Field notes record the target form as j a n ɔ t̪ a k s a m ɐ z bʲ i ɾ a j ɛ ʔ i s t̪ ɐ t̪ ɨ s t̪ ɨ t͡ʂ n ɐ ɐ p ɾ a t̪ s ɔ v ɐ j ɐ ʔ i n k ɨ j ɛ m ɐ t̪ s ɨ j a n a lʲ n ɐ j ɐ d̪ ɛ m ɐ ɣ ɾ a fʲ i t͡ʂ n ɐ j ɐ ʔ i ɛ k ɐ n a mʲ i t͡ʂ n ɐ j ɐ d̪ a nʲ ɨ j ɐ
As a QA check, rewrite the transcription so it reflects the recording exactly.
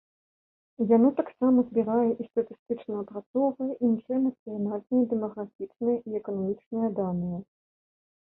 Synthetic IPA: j a n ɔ t̪ a k s a m ɐ z bʲ i ɾ a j ɛ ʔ i s t̪ ɐ t̪ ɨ s t̪ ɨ t͡ʂ n ɐ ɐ p ɾ a t̪ s ɔ v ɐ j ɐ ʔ i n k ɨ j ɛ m ɐ t̪ s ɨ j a n a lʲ n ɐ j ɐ d̪ ɛ m ɐ ɣ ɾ a fʲ i t͡ʂ n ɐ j ɐ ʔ i ɛ k ɐ n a mʲ i t͡ʂ n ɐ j ɐ d̪ a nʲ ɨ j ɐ